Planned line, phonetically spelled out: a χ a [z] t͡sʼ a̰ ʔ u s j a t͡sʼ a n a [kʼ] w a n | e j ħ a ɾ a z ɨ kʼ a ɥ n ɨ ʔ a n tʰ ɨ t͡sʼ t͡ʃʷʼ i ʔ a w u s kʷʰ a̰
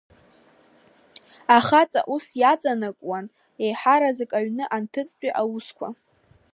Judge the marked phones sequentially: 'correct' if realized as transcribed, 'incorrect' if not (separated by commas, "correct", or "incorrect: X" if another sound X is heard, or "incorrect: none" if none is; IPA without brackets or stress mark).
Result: incorrect: none, correct